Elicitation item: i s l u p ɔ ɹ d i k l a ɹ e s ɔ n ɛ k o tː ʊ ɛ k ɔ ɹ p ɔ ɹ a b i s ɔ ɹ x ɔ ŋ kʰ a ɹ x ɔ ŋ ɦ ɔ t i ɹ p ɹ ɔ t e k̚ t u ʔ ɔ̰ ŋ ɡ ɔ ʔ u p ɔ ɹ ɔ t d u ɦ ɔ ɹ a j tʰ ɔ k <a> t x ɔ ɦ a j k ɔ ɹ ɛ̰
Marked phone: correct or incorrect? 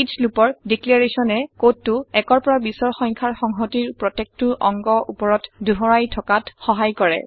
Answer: correct